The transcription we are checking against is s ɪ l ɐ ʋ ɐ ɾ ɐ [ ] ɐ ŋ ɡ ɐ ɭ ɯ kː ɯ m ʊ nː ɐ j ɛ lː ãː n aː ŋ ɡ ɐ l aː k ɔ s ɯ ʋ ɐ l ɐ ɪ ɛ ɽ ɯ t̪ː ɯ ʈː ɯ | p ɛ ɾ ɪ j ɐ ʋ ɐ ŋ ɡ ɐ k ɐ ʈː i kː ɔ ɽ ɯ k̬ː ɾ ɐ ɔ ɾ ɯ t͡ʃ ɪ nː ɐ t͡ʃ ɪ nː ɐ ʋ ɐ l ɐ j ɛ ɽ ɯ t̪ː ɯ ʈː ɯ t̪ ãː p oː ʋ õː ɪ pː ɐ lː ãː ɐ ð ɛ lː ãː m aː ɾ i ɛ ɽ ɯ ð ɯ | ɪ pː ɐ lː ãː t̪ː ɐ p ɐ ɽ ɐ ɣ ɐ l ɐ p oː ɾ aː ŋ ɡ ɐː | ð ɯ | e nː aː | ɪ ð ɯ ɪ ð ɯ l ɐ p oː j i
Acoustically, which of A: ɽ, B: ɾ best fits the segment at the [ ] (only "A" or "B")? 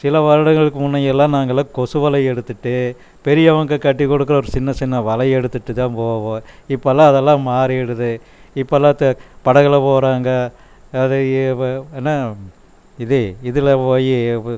A